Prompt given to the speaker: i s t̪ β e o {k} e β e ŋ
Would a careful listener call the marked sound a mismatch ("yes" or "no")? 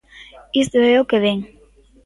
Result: no